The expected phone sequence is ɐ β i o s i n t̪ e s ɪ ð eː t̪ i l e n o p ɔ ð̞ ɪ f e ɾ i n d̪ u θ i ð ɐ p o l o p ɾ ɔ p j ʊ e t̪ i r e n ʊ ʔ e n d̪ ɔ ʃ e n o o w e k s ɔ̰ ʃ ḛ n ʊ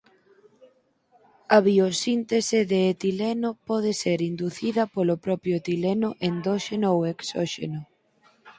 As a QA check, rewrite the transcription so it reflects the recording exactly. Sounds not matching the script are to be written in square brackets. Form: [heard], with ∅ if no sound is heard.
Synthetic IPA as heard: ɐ β i o s i n t̪ e s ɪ ð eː t̪ i l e n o p ɔ ð̞ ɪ [s] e ɾ i n d̪ u θ i ð ɐ p o l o p ɾ ɔ p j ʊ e t̪ i [l] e n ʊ ʔ e n d̪ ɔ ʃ e n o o w e k s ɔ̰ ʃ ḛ n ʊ